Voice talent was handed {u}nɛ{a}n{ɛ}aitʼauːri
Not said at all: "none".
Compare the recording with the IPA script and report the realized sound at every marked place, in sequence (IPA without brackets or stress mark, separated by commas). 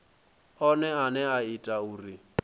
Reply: ɔ, a, ɛ